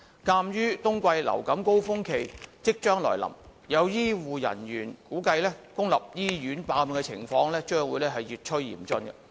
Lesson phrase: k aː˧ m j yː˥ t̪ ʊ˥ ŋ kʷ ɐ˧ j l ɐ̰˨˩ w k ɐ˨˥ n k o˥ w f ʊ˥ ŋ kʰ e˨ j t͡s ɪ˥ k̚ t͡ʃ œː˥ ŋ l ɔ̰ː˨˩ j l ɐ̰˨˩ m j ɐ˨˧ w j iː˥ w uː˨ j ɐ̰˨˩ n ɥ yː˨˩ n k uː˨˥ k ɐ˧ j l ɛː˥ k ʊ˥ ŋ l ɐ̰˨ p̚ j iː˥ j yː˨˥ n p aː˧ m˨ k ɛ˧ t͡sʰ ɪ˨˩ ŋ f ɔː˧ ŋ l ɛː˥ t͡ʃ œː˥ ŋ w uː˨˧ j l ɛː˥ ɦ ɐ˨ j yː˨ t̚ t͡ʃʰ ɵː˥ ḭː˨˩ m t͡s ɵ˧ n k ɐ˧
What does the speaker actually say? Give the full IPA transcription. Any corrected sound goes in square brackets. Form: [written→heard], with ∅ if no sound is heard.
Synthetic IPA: k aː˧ m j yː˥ t̪ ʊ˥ ŋ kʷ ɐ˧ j l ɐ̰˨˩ w k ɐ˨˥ [n→m] k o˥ w f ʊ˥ ŋ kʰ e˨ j t͡s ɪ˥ k̚ t͡ʃ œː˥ ŋ l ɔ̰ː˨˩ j l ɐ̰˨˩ m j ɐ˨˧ w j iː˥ w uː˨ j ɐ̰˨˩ n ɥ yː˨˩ n k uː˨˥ k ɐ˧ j l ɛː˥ k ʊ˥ ŋ l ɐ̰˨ p̚ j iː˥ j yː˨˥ n p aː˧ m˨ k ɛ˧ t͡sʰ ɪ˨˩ ŋ f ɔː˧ ŋ l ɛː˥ t͡ʃ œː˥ ŋ w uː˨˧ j l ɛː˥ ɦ ɐ˨ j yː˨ t̚ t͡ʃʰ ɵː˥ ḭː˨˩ m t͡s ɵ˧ n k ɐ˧